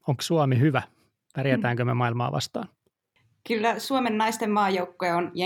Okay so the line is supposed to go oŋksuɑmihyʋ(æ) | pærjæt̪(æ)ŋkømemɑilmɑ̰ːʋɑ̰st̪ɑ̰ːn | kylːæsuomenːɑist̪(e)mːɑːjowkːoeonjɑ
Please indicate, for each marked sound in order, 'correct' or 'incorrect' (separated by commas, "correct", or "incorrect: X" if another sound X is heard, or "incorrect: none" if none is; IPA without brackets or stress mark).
correct, incorrect: æː, correct